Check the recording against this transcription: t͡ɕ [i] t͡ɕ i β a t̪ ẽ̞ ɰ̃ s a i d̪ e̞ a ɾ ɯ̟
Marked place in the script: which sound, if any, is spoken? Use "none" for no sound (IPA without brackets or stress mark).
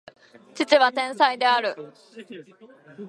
i